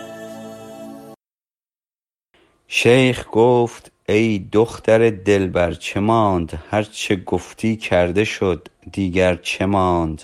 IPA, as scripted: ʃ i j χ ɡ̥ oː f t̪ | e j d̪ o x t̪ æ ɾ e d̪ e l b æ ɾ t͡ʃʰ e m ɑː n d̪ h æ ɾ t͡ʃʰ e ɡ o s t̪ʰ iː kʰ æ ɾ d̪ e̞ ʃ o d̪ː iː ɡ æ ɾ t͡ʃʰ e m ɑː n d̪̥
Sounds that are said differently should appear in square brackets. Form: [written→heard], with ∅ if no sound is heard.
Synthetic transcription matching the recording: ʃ [i→e] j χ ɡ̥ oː f t̪ | e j d̪ o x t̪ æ ɾ e d̪ e l b æ ɾ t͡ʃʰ e m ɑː n d̪ h æ ɾ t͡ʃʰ e ɡ o [s→f] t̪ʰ iː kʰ æ ɾ d̪ e̞ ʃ o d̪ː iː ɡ æ ɾ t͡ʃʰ e m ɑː n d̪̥